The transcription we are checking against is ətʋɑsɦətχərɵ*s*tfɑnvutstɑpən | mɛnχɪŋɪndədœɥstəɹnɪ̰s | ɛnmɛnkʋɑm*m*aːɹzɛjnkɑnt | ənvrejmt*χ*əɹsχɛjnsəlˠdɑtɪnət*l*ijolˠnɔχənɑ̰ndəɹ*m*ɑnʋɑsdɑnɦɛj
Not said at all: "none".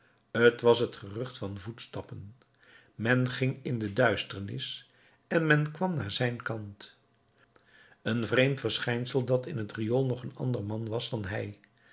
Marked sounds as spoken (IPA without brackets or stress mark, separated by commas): χ, n, f, r, m